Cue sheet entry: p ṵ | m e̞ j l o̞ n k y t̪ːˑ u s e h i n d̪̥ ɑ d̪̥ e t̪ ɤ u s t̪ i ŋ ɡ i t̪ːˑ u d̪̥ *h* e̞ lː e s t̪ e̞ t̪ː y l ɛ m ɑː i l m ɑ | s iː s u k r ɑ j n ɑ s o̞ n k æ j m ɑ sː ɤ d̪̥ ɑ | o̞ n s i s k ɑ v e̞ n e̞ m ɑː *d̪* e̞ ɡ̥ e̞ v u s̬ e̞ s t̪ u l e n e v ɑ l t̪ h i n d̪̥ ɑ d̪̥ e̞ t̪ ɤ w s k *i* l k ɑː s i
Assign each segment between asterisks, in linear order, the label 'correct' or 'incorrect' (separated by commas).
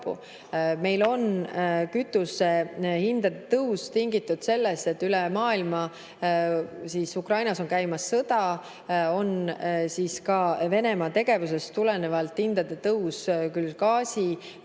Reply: incorrect, incorrect, incorrect